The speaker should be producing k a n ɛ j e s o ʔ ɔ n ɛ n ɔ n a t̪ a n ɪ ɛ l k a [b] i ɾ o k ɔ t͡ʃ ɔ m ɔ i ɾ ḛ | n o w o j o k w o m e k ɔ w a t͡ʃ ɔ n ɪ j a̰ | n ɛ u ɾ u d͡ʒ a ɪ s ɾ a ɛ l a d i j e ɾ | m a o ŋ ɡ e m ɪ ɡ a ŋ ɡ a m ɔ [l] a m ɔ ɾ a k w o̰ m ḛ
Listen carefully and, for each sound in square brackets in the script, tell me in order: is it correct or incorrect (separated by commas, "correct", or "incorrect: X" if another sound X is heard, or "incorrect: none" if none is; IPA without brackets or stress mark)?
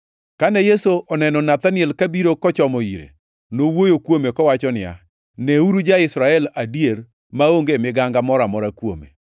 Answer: correct, incorrect: ɾ